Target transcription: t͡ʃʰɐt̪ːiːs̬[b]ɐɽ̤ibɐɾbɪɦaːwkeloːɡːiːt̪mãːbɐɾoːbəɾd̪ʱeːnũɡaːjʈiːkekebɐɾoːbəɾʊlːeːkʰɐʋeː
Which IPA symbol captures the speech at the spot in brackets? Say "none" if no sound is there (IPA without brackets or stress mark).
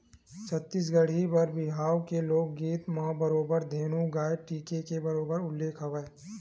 ɡ